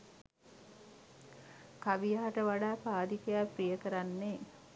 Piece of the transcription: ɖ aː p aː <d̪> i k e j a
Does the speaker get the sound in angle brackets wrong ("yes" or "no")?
no